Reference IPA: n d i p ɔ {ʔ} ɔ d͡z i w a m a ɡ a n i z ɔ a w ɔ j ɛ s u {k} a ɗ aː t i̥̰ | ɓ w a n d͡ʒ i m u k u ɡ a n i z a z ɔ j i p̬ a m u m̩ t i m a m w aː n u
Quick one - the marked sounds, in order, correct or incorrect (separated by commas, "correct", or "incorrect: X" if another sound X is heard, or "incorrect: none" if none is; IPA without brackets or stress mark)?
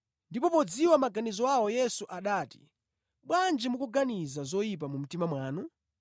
incorrect: p, incorrect: ʔ